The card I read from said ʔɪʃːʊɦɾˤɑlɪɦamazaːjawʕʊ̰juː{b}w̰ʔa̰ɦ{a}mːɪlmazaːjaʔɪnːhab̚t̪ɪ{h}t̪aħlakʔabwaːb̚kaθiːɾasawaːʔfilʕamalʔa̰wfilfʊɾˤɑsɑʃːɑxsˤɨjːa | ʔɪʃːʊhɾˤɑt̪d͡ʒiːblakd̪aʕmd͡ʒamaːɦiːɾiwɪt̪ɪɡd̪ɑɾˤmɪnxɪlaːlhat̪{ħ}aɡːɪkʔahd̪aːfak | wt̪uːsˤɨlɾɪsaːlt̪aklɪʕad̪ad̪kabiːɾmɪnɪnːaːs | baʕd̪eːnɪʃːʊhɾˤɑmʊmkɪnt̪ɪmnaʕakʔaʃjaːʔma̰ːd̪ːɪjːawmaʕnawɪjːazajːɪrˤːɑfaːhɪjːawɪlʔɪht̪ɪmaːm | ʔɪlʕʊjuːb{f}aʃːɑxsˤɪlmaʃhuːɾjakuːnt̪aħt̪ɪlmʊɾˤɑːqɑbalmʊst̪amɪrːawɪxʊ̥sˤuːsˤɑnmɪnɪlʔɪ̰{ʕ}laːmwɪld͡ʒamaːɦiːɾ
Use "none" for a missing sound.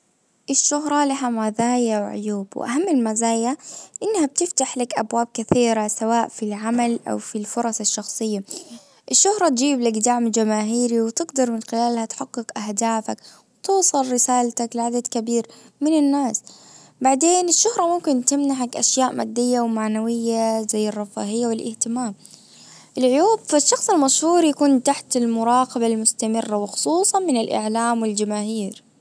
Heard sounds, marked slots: b, a, f, ħ, f, ʕ

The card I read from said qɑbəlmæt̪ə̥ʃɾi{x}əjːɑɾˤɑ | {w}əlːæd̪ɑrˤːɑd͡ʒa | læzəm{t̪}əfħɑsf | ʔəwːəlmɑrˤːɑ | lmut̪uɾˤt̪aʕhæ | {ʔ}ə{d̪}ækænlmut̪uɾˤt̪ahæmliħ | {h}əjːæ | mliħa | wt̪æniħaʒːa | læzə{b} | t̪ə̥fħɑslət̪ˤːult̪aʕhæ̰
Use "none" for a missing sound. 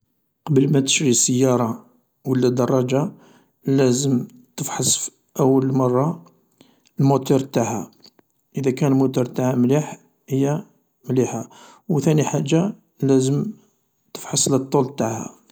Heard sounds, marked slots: s, w, t̪, ʔ, d̪, h, m

